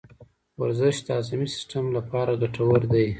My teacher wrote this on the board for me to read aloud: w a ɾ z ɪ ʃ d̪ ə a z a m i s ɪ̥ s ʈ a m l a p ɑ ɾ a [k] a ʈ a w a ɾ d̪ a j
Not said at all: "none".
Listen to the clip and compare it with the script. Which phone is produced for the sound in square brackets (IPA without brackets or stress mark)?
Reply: ɡ